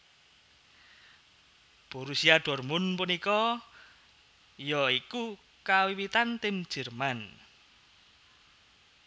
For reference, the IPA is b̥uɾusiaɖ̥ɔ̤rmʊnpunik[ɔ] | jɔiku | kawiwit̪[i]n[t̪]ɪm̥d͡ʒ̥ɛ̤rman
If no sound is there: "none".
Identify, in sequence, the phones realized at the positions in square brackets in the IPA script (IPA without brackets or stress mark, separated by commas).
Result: ɔ, a, t̪